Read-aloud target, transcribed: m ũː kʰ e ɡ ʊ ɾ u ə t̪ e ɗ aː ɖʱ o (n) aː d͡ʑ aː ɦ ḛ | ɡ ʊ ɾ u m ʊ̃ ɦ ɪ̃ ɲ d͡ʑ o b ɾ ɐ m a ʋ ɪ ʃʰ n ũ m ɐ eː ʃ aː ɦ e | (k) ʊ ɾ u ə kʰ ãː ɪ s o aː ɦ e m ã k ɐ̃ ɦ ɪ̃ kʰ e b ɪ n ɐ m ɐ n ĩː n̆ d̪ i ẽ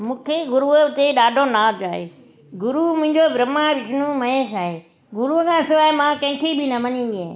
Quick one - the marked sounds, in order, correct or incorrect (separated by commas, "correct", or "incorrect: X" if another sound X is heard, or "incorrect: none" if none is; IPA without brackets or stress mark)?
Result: correct, incorrect: ɡ